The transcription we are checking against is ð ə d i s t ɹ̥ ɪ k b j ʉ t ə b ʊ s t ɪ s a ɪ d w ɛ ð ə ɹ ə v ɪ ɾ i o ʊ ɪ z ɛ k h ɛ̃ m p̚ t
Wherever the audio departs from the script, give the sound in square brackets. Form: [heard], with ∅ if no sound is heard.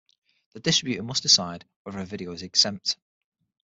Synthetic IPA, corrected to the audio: ð ə d [ɪ] s t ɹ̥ ɪ [∅] b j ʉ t ə [m] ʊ s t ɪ s a ɪ d w ɛ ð ə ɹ ə v ɪ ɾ i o ʊ ɪ z ɛ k [s] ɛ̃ m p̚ t